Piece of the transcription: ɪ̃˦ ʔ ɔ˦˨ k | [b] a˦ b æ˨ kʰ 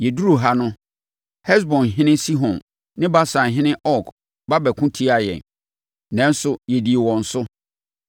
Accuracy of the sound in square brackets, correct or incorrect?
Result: correct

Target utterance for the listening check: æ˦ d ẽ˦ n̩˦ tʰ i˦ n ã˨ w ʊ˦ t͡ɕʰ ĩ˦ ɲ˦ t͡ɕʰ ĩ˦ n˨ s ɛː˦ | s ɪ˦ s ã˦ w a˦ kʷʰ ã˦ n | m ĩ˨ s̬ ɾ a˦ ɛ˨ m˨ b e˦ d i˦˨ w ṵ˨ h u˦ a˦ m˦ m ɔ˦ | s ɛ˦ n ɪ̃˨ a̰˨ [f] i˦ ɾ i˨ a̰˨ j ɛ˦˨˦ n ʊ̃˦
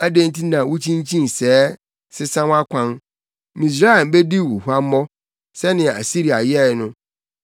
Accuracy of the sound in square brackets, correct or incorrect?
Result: incorrect: s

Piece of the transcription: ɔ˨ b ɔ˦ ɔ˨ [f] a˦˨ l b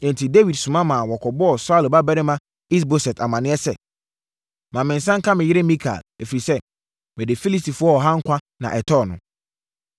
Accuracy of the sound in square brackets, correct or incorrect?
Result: incorrect: s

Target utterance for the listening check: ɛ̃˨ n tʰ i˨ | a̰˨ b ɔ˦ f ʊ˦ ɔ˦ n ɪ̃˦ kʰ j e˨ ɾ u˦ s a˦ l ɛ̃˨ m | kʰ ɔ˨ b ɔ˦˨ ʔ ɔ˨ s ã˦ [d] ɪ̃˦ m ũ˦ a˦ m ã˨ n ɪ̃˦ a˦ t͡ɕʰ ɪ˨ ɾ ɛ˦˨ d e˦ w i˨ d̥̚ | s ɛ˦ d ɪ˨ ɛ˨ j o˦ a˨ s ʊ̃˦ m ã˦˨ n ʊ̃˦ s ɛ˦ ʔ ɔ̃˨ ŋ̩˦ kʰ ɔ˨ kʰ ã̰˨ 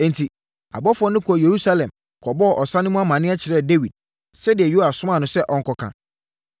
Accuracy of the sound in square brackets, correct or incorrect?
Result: incorrect: n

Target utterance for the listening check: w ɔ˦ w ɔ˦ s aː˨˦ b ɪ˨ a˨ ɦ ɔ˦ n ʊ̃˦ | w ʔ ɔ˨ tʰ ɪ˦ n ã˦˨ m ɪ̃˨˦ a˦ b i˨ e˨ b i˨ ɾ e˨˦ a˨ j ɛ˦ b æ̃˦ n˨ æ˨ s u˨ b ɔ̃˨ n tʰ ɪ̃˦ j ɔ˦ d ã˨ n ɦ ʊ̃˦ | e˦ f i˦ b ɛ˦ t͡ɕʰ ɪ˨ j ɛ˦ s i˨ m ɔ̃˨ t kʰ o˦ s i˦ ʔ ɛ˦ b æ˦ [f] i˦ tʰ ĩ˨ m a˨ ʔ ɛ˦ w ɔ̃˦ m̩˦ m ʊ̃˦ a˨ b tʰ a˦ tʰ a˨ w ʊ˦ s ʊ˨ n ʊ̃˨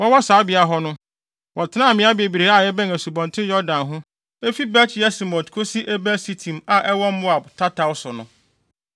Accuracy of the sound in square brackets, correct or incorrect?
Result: incorrect: s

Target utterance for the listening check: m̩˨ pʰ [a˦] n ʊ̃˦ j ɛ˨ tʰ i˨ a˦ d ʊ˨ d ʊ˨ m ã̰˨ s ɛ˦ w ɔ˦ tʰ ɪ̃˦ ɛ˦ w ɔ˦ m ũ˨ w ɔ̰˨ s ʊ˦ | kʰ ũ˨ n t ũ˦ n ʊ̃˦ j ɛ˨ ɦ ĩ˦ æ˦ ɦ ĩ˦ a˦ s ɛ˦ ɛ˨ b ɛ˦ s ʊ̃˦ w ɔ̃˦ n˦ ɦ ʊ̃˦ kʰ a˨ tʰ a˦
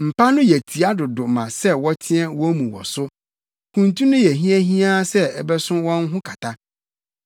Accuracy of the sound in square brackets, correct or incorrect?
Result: correct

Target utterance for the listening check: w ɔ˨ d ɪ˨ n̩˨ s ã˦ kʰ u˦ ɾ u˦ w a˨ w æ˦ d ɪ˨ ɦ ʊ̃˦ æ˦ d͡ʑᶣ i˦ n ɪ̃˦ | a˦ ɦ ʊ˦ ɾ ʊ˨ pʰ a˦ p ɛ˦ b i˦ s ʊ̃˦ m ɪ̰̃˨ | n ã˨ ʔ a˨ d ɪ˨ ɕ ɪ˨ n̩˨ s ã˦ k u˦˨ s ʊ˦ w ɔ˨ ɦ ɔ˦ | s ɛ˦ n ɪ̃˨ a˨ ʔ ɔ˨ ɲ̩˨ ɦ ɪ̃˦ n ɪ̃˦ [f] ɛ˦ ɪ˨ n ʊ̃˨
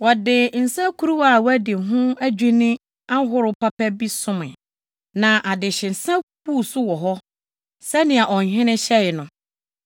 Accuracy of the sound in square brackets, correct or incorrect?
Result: incorrect: ɕ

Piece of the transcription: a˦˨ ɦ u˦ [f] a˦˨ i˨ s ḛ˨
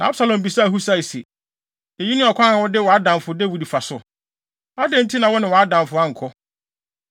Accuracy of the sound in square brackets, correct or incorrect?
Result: incorrect: s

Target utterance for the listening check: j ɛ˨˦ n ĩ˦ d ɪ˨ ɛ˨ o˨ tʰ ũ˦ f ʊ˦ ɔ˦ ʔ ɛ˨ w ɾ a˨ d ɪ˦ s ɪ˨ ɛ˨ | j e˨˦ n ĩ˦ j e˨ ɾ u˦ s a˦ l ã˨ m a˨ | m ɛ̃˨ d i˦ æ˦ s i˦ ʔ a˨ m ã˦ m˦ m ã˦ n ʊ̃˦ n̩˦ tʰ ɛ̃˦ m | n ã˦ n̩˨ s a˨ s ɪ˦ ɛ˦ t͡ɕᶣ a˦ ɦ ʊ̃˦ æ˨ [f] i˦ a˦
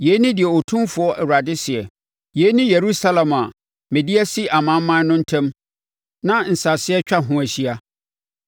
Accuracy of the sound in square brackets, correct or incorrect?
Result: incorrect: ɕ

